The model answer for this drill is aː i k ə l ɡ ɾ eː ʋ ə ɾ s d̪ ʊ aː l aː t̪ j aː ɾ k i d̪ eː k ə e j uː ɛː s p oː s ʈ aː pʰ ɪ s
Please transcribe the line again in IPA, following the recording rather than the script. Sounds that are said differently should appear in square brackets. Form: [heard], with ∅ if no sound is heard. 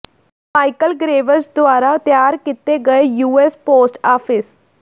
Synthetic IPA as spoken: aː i k ə l ɡ ɾ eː ʋ ə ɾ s d̪ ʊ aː [ɾ] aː t̪ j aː ɾ k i [t̪] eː [ɡ] ə e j uː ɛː s p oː s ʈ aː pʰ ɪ s